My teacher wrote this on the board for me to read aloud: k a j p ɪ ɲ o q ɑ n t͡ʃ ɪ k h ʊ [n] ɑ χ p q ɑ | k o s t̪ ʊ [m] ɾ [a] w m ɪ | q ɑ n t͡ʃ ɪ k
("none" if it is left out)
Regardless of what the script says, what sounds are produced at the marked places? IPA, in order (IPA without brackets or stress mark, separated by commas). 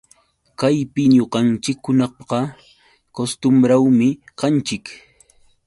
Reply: n, m, a